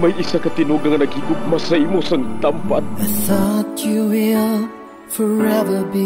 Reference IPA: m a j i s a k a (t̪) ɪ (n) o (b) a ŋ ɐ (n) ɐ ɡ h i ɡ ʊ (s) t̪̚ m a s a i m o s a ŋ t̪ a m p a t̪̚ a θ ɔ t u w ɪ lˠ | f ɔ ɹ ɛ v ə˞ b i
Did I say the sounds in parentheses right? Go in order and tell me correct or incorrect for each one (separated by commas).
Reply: correct, correct, incorrect, correct, incorrect